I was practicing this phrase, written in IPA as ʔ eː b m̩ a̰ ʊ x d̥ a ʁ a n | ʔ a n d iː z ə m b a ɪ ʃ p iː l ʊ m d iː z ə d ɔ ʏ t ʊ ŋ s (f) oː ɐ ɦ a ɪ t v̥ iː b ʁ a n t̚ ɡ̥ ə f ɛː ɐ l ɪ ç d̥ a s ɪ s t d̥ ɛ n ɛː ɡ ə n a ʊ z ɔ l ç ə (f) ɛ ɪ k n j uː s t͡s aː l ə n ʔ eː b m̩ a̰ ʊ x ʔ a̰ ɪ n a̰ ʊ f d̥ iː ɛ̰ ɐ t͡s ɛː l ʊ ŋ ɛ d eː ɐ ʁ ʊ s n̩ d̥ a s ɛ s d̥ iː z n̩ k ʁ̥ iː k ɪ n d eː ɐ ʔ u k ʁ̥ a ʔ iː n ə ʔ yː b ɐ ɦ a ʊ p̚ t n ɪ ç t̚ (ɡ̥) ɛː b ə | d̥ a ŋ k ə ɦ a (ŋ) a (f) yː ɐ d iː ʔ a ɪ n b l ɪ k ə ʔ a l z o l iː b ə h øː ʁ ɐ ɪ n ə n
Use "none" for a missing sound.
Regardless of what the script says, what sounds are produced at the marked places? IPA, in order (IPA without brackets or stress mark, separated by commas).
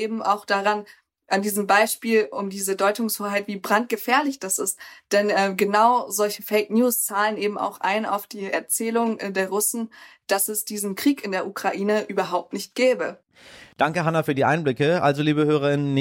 h, f, ɡ̥, n, f